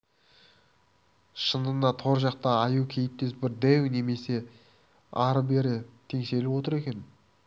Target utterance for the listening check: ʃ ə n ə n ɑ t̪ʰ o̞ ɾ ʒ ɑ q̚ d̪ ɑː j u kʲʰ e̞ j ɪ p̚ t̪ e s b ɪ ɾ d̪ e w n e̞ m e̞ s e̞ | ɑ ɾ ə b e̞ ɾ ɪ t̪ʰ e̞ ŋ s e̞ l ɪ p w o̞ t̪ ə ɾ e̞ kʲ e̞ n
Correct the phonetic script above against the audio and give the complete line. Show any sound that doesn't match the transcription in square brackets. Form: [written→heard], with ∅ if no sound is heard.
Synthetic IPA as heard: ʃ ə n ə n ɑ t̪ʰ o̞ ɾ ʒ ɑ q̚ [d̪→t̪] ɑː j u kʲʰ e̞ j ɪ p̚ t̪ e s b ɪ ɾ d̪ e w n e̞ m e̞ s e̞ | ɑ ɾ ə b e̞ ɾ ɪ t̪ʰ e̞ ŋ s e̞ l ɪ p w o̞ t̪ ə ɾ e̞ kʲ e̞ n